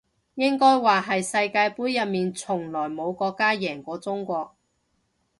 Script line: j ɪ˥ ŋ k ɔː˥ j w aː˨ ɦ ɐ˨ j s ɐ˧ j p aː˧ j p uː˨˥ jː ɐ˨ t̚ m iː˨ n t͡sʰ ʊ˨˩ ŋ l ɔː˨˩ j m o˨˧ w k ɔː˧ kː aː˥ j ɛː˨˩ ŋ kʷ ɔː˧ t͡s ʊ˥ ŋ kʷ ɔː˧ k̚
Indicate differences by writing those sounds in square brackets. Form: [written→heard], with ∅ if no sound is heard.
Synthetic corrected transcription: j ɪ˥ ŋ k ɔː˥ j w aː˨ ɦ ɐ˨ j s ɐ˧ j [p→k] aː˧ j p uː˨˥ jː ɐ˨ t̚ m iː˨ n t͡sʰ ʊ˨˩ ŋ l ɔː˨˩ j m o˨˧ w k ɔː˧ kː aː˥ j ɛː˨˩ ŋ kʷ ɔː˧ t͡s ʊ˥ ŋ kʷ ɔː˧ k̚